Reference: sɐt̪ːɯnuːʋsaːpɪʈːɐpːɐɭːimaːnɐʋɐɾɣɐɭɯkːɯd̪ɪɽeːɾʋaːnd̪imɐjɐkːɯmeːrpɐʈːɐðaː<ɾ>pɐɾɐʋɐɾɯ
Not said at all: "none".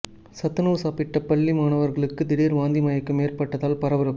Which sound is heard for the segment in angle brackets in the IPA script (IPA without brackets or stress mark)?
l